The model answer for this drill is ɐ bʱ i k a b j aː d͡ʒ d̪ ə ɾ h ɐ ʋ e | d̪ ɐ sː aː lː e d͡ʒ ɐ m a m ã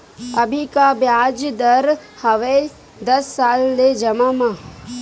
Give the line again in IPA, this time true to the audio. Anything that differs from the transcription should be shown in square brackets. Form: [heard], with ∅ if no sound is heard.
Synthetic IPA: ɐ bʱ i k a b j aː d͡ʒ d̪ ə ɾ h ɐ ʋ e | d̪ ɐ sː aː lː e d͡ʒ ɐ m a m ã